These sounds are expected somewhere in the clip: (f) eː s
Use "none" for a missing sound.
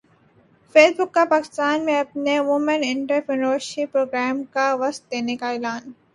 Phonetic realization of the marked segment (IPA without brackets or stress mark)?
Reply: f